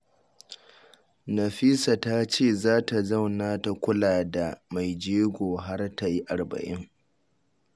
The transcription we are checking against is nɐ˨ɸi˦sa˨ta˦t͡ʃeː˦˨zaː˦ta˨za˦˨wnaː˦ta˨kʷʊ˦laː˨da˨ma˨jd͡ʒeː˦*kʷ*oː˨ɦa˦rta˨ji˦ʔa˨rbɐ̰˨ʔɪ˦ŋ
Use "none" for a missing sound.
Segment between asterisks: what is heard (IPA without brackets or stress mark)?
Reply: ɡʷ